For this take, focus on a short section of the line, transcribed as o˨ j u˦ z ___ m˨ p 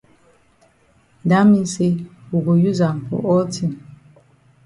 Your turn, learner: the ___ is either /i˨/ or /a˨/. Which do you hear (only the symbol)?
a˨